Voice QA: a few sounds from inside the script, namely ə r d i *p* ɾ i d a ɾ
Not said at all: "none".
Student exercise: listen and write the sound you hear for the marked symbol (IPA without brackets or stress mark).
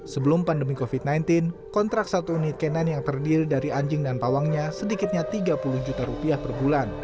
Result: none